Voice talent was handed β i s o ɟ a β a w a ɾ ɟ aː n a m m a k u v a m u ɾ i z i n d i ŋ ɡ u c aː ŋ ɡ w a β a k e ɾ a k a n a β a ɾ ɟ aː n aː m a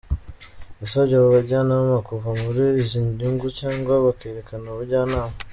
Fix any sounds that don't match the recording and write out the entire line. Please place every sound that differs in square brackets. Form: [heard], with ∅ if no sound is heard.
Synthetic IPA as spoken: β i s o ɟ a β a [β] a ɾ ɟ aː n a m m a k u v a m u ɾ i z i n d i ŋ ɡ u c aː ŋ ɡ w a β a k e ɾ [e] k a n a β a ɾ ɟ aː n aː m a

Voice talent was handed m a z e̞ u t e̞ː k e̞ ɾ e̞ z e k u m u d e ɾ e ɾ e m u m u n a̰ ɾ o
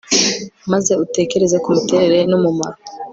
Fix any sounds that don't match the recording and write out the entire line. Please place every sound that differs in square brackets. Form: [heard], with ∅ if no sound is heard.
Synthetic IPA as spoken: m a z e̞ u t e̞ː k e̞ ɾ e̞ z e k u m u [t] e ɾ e ɾ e [n] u m u [m] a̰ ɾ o

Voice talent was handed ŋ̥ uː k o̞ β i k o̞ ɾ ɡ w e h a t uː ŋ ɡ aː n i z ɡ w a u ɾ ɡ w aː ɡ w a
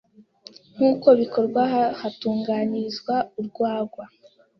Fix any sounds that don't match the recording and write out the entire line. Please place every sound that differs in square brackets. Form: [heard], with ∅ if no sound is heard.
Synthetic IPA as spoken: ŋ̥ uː k o̞ β i k o̞ ɾ ɡ w [a] h a t uː ŋ ɡ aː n i z ɡ w a u ɾ ɡ w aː ɡ w a

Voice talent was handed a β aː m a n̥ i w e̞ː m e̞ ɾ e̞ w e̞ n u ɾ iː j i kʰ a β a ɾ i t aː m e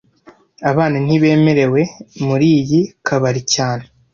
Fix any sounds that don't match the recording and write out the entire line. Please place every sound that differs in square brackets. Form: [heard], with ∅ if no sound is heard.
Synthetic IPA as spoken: a β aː [n] a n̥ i [β] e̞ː m e̞ ɾ e̞ w e̞ [m] u ɾ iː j i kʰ a β a ɾ i [c] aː [n] e

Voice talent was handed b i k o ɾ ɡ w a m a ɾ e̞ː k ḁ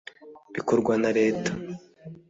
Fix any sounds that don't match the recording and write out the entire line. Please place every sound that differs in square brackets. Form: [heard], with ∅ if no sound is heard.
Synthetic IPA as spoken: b i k o ɾ ɡ w a [n] a ɾ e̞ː [t] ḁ

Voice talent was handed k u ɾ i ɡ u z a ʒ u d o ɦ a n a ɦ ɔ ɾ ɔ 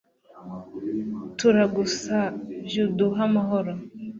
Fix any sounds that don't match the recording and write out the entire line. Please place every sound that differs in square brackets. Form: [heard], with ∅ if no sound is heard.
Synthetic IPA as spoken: [t] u ɾ [a] ɡ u [s] a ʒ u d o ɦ a [m] a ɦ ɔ ɾ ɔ

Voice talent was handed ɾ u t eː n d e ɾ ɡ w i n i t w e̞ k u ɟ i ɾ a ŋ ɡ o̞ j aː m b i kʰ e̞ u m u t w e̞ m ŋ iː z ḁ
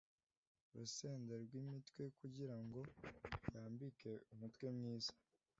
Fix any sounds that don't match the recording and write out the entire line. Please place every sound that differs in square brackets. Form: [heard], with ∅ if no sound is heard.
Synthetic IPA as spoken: ɾ u [s] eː n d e ɾ ɡ w i [m] i t w e̞ k u ɟ i ɾ a ŋ ɡ o̞ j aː m b i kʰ e̞ u m u t w e̞ m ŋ iː z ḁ

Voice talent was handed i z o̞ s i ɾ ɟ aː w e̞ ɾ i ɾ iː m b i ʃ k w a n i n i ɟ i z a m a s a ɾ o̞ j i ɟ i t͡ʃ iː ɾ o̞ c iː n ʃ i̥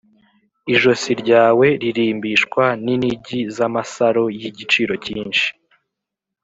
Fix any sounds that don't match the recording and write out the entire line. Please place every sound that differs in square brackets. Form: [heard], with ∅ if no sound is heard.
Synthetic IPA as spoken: i [ʒ] o̞ s i ɾ ɟ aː w e̞ ɾ i ɾ iː m b i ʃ k w a n i n i ɟ i z a m a s a ɾ o̞ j i ɟ i t͡ʃ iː ɾ o̞ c iː n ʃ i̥

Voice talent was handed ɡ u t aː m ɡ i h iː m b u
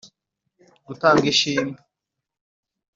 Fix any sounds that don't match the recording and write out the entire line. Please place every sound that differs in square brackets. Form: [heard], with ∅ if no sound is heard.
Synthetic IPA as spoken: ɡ u t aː [ŋ] ɡ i [ʃ] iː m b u

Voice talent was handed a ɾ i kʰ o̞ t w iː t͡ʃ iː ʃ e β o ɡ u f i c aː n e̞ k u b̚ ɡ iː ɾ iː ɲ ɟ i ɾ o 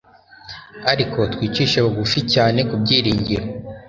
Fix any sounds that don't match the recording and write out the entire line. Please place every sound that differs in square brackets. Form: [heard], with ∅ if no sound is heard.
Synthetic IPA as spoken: a ɾ i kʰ o̞ t w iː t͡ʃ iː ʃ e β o ɡ u f i c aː n e̞ k u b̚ [ɟ] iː ɾ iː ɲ ɟ i ɾ o

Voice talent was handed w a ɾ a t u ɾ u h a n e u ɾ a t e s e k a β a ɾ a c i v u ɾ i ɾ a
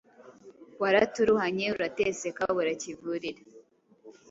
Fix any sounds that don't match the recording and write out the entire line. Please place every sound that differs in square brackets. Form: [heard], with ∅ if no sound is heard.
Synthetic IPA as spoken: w a ɾ a t u ɾ u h a [ɲ] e u ɾ a t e s e k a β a ɾ a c i v u ɾ i ɾ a

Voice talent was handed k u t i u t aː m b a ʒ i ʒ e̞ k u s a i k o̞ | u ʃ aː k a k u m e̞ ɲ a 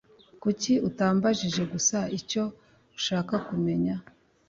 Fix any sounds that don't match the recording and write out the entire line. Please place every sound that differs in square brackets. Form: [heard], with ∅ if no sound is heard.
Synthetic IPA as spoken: k u [c] i u t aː m b a ʒ i ʒ e̞ [ɡ] u s a i [c] o̞ | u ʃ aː k a k u m e̞ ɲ a

